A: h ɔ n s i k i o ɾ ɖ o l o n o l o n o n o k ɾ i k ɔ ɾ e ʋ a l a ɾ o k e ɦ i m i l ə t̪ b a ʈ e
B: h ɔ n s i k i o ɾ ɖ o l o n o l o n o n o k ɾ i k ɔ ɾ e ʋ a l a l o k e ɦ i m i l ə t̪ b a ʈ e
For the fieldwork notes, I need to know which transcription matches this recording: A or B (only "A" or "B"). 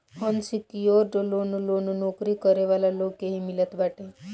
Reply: B